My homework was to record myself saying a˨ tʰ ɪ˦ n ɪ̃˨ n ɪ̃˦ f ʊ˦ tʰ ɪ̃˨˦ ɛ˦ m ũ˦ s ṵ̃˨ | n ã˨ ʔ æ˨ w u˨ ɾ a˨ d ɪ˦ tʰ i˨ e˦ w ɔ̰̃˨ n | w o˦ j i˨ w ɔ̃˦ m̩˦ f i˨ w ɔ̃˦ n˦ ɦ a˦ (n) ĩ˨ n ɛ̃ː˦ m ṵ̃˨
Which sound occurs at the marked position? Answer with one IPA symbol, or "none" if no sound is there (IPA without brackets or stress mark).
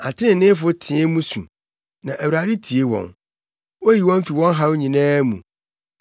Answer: ɲ